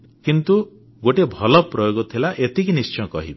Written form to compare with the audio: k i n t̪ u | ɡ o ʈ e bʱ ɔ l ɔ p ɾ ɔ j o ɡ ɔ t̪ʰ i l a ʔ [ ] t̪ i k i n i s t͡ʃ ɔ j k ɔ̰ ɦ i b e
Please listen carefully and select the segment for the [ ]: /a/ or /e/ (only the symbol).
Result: e